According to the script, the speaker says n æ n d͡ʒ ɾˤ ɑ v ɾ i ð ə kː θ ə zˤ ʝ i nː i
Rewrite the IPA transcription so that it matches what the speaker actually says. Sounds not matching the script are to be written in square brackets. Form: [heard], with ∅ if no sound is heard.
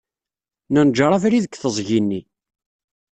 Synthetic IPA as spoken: n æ n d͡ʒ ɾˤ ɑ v ɾ i ð ə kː θ ə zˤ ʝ i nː i